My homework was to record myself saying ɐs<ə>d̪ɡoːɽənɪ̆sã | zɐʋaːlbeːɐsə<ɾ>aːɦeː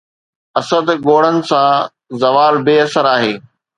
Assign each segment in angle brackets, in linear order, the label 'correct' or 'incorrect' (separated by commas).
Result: correct, correct